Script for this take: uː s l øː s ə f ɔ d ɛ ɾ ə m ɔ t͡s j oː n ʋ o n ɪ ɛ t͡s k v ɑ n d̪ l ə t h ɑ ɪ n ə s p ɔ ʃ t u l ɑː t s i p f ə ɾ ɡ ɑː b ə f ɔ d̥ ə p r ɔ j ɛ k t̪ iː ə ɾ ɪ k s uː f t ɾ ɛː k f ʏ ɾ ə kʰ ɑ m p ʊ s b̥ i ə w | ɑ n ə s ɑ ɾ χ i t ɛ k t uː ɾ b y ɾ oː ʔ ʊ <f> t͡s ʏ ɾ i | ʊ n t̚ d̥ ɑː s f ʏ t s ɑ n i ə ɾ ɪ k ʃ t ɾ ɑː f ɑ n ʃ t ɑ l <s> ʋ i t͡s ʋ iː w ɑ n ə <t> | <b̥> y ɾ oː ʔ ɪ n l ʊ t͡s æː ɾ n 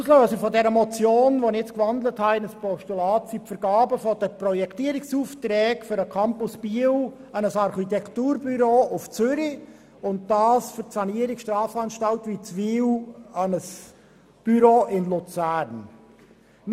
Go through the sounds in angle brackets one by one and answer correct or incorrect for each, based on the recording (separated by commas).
correct, incorrect, incorrect, correct